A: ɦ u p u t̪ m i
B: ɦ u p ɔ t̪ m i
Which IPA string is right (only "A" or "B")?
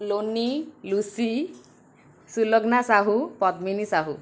B